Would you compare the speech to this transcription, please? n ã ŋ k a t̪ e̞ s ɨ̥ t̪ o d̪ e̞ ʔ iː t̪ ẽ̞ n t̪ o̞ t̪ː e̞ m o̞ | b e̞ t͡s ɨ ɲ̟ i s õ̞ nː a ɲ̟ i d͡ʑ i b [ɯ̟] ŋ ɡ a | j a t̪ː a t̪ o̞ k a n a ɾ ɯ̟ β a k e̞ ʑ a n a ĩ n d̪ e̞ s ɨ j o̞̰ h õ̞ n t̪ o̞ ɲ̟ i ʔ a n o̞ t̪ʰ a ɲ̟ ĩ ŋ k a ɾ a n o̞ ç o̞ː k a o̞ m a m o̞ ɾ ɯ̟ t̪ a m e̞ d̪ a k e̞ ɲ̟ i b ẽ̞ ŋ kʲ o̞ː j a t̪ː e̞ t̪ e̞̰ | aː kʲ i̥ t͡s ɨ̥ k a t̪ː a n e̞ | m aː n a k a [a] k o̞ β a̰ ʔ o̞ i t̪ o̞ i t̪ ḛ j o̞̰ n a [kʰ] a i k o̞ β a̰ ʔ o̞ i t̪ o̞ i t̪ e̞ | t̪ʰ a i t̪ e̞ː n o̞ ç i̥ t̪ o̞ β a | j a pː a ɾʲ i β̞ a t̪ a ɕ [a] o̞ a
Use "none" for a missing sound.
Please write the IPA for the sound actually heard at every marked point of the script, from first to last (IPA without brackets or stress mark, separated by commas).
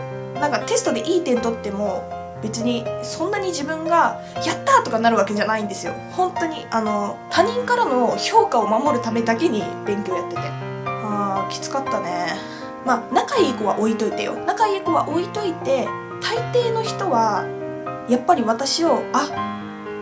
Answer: ɯ̟̃, i, k, i